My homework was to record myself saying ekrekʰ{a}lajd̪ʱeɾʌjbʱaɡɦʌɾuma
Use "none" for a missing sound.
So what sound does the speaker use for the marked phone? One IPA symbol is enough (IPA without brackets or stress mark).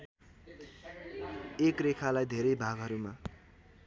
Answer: a